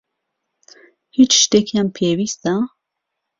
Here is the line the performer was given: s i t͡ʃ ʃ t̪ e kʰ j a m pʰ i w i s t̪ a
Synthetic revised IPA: h i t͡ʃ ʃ t̪ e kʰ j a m pʰ e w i s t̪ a